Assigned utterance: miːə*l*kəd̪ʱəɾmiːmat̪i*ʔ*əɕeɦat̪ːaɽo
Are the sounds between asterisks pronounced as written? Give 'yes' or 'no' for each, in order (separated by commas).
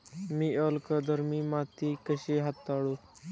yes, no